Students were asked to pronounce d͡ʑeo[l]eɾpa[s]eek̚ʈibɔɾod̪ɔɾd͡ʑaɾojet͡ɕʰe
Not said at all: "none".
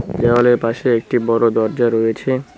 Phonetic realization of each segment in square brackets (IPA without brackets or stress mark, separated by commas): l, ʃ